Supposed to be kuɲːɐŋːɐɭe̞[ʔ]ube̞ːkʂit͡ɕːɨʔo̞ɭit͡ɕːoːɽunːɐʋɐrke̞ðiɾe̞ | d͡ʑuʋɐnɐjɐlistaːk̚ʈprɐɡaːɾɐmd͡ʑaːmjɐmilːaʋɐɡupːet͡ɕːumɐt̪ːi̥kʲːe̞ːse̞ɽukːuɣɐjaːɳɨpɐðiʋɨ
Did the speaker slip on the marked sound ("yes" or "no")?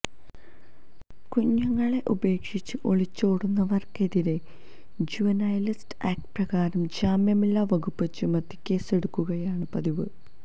no